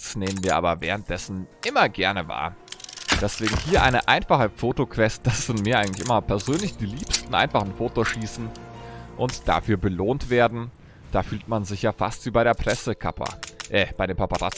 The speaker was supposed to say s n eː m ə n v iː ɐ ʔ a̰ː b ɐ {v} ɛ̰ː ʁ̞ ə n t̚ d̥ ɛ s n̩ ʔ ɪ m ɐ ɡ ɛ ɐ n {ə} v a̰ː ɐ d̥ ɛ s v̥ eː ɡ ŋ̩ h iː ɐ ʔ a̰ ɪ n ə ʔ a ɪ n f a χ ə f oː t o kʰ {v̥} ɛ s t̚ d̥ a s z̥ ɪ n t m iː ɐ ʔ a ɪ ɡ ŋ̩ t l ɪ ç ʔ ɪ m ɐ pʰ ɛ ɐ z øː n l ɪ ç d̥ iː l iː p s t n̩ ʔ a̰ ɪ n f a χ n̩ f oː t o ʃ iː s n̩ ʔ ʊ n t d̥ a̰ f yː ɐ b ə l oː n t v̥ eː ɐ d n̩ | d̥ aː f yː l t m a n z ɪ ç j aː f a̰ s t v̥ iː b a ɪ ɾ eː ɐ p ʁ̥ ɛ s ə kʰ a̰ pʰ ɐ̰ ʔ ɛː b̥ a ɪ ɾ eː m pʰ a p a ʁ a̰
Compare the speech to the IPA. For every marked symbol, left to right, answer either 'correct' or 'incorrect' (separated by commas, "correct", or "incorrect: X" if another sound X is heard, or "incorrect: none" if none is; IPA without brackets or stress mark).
correct, correct, correct